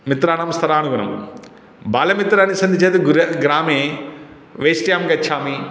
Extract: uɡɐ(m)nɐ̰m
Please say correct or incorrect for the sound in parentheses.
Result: incorrect